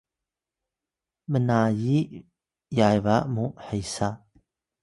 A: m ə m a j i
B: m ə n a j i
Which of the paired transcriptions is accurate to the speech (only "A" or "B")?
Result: B